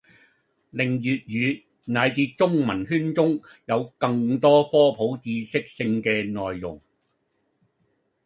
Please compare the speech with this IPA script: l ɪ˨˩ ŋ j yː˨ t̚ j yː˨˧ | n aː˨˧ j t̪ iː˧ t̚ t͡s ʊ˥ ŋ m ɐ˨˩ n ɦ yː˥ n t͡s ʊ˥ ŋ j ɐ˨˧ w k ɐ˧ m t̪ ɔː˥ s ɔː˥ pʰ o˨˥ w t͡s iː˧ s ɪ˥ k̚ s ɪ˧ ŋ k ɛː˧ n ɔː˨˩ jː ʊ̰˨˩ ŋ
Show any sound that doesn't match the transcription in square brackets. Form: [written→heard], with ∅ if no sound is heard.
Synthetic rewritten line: l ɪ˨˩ ŋ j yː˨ t̚ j yː˨˧ | n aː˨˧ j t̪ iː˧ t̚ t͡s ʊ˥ ŋ m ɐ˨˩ n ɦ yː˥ n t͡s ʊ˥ ŋ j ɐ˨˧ w k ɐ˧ [m→ŋ] t̪ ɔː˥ [s→f] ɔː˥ pʰ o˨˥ w t͡s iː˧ s ɪ˥ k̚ s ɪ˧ ŋ k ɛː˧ n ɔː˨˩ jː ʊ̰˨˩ ŋ